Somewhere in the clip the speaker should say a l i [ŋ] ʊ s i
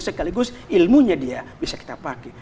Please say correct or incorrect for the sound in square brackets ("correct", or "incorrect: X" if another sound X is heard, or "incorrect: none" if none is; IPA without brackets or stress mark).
incorrect: ɡ